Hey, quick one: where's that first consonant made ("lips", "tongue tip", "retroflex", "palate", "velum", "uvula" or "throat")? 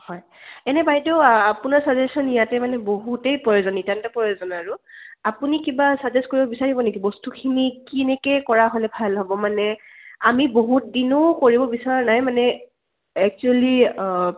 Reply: throat